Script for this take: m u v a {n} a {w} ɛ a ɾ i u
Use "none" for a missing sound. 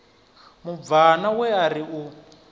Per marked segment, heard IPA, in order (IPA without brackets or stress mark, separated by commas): n, w